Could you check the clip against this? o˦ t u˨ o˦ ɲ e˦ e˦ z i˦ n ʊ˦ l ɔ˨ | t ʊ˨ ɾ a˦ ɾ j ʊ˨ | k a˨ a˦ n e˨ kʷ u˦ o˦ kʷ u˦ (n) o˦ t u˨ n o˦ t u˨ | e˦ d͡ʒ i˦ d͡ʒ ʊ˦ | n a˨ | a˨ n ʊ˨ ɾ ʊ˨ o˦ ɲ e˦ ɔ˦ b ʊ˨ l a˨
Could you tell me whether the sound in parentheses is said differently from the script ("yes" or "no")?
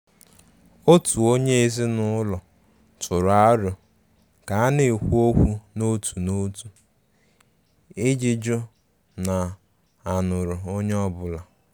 no